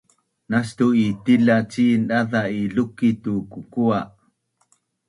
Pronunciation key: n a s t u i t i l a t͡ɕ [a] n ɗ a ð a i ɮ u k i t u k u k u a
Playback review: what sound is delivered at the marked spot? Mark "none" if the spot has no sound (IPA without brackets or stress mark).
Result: i